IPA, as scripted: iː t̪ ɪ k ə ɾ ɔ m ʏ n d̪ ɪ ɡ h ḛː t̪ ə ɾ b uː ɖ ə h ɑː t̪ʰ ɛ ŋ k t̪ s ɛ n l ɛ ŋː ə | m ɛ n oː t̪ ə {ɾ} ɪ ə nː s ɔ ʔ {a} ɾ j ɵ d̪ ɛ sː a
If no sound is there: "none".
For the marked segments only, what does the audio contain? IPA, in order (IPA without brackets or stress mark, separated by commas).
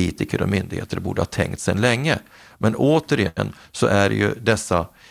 ɾ, æ